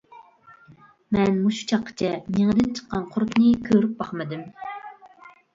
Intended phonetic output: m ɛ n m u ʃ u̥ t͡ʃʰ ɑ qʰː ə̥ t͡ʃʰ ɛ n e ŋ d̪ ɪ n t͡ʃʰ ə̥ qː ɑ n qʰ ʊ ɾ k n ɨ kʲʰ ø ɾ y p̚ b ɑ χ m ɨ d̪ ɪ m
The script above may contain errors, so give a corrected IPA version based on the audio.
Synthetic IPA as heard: m ɛ n m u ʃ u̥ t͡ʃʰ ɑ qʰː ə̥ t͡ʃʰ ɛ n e ŋ d̪ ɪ n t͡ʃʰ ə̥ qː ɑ n qʰ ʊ ɾ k n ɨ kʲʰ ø ɾ y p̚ b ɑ χ m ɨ d̪ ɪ m